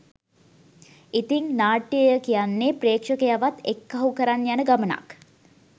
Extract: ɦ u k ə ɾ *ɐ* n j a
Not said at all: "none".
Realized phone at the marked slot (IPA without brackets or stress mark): a